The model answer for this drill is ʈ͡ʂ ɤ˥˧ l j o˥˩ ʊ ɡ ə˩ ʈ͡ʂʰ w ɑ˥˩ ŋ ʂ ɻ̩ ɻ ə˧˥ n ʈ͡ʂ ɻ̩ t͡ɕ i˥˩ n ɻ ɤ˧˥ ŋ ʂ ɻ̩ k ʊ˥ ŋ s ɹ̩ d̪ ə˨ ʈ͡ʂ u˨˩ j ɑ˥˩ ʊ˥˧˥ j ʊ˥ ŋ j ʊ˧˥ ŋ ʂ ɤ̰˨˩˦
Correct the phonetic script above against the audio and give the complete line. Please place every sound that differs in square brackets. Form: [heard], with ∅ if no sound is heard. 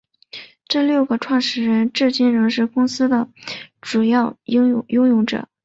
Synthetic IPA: ʈ͡ʂ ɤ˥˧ l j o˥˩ ʊ ɡ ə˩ ʈ͡ʂʰ w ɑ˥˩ ŋ ʂ ɻ̩ ɻ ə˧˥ n ʈ͡ʂ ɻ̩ t͡ɕ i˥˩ n ɻ ɤ˧˥ ŋ ʂ ɻ̩ k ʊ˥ ŋ s ɹ̩ d̪ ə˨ ʈ͡ʂ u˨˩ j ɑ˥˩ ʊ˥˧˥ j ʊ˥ ŋ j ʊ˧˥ ŋ [ʈ͡ʂ] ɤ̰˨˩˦